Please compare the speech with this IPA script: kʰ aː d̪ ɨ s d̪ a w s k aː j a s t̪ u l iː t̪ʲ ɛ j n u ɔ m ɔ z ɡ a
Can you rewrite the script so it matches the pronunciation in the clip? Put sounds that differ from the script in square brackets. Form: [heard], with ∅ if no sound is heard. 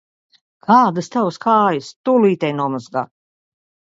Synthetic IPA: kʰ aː d̪ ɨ s [t̪] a w s k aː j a s t̪ u l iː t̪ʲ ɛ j n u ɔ m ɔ z ɡ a